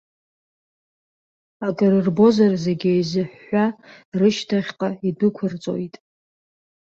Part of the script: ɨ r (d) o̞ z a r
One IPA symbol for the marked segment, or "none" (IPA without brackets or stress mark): b